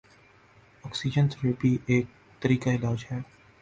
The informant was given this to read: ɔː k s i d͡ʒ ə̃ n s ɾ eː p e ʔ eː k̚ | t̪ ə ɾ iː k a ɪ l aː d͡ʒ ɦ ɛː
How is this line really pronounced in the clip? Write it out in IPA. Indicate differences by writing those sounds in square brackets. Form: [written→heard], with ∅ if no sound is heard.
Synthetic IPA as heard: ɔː k s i d͡ʒ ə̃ n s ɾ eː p [e→i] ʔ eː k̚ | t̪ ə ɾ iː k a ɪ l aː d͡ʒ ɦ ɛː